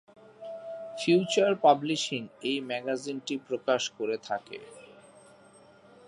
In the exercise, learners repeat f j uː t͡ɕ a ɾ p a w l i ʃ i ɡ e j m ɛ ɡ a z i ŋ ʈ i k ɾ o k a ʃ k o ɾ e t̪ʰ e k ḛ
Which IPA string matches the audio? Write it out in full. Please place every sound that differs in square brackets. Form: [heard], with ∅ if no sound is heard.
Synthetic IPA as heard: f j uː t͡ɕ a ɾ p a [b] l i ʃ i [ŋ] e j m ɛ ɡ a z i [n] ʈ i [p] ɾ o k a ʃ k o ɾ e t̪ʰ [a] k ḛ